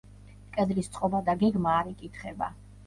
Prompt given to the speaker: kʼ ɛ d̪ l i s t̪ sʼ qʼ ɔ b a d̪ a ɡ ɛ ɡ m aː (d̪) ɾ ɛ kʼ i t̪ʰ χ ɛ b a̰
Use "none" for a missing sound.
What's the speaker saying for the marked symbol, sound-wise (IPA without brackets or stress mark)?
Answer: none